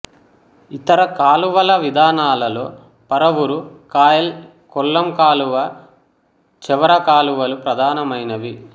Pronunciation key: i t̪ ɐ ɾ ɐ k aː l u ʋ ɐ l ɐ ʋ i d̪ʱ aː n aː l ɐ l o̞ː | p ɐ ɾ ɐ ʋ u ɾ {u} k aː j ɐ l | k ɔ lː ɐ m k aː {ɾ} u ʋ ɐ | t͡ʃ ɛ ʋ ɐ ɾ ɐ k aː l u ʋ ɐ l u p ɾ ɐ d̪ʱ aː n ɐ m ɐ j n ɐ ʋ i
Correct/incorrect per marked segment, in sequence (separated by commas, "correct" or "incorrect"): correct, incorrect